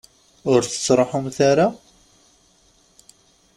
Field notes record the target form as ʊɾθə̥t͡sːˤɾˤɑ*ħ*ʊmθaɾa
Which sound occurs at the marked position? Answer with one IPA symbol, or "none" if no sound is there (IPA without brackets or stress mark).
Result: ħ